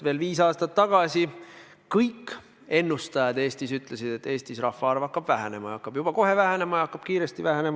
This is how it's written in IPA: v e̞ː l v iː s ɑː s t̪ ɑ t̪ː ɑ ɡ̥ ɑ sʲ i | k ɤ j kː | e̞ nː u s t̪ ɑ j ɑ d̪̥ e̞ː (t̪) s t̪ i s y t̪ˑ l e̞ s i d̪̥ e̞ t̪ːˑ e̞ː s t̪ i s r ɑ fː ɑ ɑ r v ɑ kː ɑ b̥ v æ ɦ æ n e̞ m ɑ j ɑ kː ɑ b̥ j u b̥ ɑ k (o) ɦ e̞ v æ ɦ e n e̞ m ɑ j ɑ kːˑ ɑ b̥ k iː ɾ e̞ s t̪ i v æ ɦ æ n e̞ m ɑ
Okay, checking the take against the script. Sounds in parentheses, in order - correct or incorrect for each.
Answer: incorrect: none, correct

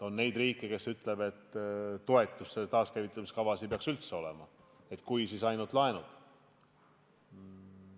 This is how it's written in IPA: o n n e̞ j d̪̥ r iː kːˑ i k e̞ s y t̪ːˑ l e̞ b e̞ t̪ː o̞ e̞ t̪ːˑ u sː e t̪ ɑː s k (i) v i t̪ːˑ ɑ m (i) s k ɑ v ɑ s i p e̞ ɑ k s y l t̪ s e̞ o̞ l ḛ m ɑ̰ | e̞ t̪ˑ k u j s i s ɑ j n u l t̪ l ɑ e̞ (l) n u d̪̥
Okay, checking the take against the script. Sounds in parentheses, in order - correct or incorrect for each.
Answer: incorrect: æ, correct, incorrect: none

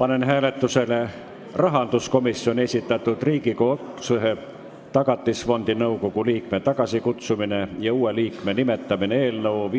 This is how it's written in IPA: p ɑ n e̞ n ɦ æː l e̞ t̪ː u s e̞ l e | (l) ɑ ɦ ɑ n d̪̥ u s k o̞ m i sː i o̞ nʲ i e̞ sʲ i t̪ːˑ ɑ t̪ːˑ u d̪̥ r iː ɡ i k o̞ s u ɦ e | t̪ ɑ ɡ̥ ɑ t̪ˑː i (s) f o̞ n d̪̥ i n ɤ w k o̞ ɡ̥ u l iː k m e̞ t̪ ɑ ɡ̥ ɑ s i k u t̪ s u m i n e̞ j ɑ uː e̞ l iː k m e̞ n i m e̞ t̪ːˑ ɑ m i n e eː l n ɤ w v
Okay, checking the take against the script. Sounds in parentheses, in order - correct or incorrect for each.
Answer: incorrect: r, correct

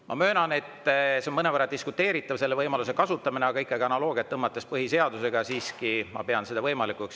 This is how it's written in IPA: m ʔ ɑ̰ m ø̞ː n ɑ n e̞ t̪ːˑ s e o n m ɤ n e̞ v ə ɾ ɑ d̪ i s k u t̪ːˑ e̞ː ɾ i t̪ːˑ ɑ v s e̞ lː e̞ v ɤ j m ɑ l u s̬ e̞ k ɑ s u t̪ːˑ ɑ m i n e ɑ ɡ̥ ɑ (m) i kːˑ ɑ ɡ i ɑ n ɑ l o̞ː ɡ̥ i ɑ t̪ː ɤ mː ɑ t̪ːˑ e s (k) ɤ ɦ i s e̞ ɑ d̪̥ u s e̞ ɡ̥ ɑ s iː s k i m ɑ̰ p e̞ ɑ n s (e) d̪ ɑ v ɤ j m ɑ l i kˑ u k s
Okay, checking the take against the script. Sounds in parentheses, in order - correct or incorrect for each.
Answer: incorrect: none, incorrect: p, correct

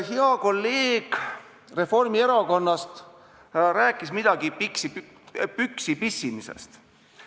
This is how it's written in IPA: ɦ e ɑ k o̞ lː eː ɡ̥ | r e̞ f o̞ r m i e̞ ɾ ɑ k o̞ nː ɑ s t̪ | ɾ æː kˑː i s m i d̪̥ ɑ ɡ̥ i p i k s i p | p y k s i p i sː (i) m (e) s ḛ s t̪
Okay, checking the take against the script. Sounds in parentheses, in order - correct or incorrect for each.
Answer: correct, incorrect: i

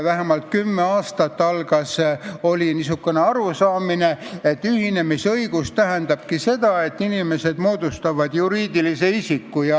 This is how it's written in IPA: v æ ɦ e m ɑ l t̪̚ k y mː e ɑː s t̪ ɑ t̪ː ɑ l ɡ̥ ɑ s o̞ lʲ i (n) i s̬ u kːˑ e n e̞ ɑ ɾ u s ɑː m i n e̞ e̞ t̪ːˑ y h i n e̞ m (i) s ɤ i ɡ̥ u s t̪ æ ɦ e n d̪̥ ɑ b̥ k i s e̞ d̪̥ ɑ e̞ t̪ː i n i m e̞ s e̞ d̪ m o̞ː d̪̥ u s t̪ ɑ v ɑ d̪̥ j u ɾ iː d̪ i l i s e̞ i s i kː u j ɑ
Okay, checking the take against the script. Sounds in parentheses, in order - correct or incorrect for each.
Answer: correct, correct

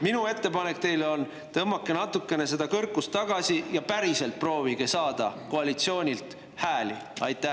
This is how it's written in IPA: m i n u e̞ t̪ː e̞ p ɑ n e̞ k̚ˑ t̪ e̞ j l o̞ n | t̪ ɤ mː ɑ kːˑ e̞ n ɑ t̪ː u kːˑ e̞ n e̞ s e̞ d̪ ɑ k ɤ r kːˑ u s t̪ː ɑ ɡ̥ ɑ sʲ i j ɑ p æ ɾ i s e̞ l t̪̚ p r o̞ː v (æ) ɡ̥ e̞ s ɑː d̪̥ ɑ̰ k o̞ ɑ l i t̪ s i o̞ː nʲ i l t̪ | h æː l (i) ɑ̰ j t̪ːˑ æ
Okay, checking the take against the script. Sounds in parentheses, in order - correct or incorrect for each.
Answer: incorrect: i, correct

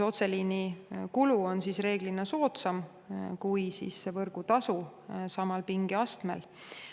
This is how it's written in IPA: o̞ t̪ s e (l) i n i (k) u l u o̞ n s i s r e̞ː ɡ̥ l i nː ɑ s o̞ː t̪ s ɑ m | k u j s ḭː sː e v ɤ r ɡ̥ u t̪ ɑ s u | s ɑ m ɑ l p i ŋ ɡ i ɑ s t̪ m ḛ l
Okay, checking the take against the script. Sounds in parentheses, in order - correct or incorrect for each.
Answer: correct, correct

